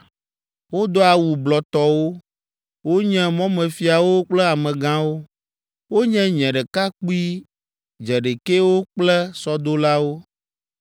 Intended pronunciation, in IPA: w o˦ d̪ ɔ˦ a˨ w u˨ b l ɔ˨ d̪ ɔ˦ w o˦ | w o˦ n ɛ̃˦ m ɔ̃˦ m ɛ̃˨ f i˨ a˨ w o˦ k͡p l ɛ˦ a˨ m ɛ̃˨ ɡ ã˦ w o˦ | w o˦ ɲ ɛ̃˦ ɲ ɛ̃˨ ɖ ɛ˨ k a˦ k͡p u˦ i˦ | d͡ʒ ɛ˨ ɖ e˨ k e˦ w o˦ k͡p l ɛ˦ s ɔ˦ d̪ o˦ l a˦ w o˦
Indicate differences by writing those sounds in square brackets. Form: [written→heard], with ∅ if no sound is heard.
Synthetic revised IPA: w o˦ d̪ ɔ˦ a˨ w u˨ b l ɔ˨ [d̪→t̪] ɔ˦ w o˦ | w o˦ [n→ɲ] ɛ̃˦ m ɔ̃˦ m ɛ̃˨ f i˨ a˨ w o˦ k͡p l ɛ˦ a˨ m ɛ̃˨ ɡ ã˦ w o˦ | w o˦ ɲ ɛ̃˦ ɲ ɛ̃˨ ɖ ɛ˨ k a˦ k͡p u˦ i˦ | d͡ʒ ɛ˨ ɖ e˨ k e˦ w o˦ k͡p l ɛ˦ s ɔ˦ d̪ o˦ l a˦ w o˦